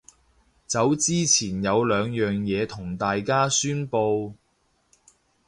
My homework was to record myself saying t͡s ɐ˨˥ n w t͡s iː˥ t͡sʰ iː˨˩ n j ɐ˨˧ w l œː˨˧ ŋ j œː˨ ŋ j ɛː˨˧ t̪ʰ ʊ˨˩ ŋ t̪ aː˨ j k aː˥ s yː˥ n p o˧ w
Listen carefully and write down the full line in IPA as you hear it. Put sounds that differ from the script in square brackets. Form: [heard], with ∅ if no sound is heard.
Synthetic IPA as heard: t͡s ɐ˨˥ [∅] w t͡s iː˥ t͡sʰ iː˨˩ n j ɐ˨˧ w l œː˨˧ ŋ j œː˨ ŋ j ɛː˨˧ t̪ʰ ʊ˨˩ ŋ t̪ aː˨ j k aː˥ s yː˥ n p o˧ w